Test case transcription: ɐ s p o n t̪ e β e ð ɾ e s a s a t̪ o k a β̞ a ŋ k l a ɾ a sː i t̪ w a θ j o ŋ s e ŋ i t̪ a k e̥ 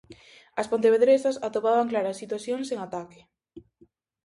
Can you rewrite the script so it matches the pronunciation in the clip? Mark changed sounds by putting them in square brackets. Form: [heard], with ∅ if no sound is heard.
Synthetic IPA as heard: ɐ s p o n t̪ e β e ð ɾ e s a s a t̪ o [p] a β̞ a ŋ k l a ɾ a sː i t̪ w a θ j o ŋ s e ŋ [a] t̪ a k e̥